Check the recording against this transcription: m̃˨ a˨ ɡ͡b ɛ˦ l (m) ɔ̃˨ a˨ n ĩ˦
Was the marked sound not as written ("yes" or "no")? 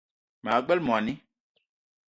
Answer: no